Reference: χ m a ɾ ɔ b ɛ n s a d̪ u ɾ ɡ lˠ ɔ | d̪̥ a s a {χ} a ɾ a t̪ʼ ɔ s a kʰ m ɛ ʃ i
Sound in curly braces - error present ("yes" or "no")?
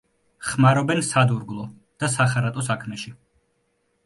no